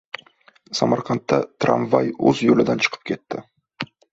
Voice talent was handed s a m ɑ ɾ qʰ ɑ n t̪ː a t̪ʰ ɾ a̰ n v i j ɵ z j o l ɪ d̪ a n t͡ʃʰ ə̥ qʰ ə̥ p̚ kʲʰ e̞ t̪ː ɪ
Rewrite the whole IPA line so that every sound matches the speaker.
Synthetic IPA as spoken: s a m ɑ ɾ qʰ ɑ n t̪ː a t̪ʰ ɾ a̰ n v a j ɵ z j o l ɪ d̪ a n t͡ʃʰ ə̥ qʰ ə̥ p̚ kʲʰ e̞ t̪ː ɪ